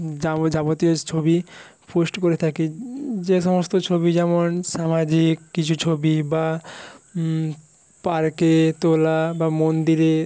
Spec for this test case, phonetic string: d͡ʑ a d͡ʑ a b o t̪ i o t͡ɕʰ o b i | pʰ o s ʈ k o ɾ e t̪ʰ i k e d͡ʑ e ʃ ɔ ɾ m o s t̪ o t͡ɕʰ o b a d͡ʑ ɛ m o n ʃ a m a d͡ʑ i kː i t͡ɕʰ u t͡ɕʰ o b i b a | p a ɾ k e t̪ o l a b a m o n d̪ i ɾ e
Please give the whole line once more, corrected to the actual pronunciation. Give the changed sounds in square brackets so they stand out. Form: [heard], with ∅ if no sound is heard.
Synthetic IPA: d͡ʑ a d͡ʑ a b o t̪ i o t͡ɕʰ o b i | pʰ o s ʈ k o ɾ e t̪ʰ [a] k e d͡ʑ e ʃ ɔ [∅] m o s t̪ o t͡ɕʰ o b [i] d͡ʑ ɛ m o n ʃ a m a d͡ʑ i kː i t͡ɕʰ u t͡ɕʰ o b i b a | p a ɾ k e t̪ o l a b a m o n d̪ i ɾ e